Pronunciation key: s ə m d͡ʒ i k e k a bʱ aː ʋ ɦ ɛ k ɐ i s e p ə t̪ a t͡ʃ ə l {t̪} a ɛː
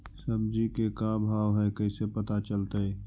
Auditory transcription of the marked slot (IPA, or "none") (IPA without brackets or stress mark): t̪